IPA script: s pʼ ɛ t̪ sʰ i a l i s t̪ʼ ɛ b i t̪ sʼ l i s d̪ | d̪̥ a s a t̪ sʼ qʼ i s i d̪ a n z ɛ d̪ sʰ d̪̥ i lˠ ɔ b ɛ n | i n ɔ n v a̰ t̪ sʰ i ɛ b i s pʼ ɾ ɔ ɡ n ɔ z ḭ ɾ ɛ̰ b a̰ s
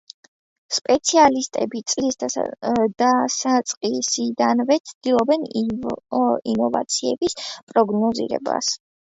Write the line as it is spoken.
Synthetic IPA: s pʼ ɛ t̪ sʰ i a l i s t̪ʼ ɛ b i t̪ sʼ l i s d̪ | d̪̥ a s a t̪ sʼ qʼ i s i d̪ a n v ɛ t̪ sʰ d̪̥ i lˠ ɔ b ɛ n | i n ɔ v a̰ t̪ sʰ i ɛ b i s pʼ ɾ ɔ ɡ n ɔ z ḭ ɾ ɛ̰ b a̰ s